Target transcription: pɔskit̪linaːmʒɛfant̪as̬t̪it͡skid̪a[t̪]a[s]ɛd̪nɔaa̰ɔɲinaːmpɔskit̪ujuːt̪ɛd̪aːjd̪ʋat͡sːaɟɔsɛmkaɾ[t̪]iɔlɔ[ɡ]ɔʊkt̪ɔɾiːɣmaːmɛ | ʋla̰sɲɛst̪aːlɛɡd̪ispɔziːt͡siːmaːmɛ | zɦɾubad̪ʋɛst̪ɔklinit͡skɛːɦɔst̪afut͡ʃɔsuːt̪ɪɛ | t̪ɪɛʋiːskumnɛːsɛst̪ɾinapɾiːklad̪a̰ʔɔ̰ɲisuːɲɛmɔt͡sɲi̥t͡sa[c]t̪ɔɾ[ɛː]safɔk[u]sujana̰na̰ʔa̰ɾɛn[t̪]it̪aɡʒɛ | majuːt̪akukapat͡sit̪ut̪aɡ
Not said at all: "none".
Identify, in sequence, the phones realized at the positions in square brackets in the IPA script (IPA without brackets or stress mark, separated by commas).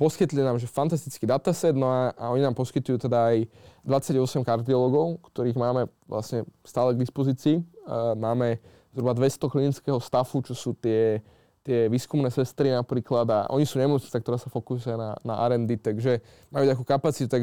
t̪, s, d̪, ɡ, k, aː, u, d̪